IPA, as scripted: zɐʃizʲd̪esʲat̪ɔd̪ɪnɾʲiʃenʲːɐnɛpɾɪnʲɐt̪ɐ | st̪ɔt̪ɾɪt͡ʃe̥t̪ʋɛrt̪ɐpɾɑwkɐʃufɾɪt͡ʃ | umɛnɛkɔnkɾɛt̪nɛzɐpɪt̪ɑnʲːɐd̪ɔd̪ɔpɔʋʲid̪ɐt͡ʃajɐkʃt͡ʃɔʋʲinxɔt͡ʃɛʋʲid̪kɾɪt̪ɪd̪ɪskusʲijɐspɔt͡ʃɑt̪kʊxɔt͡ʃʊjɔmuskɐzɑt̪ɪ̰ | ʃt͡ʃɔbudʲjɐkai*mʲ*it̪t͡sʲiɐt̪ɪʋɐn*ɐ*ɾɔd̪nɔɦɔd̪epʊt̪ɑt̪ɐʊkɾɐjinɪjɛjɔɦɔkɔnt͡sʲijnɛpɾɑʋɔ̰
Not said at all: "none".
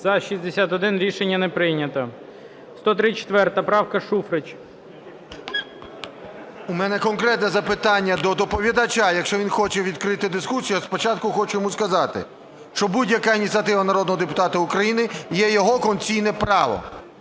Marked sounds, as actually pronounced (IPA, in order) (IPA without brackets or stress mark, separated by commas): nʲ, ɐ